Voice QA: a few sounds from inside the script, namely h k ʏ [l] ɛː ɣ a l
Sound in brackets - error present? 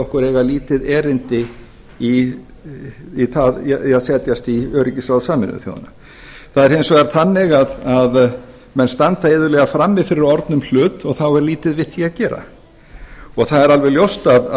yes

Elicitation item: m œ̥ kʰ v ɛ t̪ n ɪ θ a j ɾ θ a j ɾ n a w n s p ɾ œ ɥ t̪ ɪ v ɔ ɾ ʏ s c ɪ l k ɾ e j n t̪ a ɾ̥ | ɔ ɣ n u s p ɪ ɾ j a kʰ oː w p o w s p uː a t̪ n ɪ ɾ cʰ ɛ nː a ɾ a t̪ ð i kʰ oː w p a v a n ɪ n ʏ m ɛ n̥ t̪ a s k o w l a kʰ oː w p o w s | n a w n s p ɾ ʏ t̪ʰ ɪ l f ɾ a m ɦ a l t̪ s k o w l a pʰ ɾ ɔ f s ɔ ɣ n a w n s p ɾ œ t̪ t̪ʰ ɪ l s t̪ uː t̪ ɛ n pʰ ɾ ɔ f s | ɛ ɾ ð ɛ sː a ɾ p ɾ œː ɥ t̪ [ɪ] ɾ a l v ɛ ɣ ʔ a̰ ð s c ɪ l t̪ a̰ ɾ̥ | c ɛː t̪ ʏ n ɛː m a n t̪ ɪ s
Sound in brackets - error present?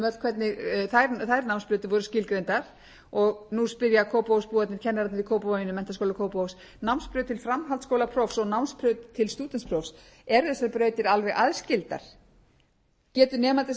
no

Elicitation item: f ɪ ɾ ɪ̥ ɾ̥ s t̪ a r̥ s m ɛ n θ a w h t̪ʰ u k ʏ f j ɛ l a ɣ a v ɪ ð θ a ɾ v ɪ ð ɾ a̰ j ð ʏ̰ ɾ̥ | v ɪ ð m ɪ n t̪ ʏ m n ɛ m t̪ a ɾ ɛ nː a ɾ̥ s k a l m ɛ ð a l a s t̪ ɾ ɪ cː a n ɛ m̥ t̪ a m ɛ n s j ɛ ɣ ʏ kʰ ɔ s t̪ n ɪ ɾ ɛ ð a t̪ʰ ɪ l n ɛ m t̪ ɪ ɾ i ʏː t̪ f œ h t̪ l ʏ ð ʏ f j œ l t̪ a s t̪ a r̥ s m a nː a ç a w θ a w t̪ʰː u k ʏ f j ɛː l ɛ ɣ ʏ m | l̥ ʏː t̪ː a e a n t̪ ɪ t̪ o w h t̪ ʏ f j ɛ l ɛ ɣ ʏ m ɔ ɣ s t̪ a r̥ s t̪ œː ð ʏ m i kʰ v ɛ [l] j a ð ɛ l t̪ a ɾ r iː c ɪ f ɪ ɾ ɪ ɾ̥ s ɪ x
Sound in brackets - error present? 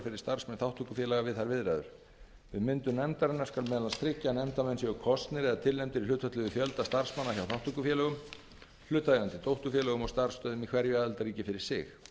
yes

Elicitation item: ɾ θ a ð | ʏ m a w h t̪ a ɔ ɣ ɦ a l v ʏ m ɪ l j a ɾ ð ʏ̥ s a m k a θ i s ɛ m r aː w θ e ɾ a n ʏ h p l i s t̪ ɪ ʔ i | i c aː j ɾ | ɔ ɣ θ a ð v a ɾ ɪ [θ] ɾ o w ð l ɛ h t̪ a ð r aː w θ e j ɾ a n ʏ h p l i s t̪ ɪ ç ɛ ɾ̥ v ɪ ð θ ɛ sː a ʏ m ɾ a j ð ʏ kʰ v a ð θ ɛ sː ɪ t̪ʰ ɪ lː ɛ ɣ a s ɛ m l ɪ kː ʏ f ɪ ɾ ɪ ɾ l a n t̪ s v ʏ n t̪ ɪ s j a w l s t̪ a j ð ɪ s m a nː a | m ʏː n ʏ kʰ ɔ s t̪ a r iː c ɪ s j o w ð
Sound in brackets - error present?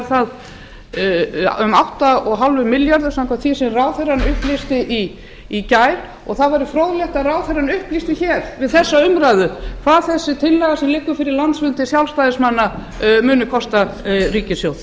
yes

